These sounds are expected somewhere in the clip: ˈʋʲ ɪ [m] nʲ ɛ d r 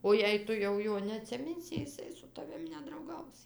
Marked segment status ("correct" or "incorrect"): correct